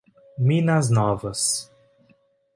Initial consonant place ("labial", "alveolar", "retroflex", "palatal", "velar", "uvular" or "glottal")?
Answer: labial